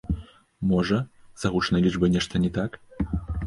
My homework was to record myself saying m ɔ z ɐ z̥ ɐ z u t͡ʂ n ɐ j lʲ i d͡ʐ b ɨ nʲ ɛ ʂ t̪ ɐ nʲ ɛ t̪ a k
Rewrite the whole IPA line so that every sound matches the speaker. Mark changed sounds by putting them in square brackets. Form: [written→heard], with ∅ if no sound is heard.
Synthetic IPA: m ɔ [z→ʐ] ɐ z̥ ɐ [z→ɣ] u t͡ʂ n ɐ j lʲ i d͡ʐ b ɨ nʲ ɛ ʂ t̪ ɐ nʲ ɛ t̪ a k